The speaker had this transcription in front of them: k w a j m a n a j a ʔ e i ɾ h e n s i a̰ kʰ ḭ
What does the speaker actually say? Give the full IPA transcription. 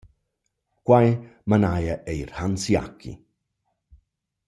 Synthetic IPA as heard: k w a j m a n a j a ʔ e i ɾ h a n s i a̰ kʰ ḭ